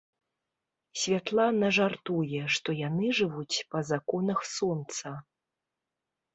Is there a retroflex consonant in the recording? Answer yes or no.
yes